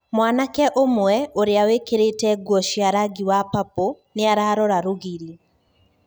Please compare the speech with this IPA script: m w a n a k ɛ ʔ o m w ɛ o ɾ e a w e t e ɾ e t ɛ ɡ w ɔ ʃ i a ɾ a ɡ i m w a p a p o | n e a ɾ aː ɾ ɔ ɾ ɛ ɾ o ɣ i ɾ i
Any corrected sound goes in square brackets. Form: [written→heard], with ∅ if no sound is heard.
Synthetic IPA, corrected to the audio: m w a n a k ɛ ʔ o m w ɛ o ɾ e a w e [t→k] e ɾ e t ɛ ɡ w ɔ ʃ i a ɾ a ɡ i [m→∅] w a p a p o | n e a ɾ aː ɾ ɔ ɾ [ɛ→a] ɾ o ɣ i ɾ i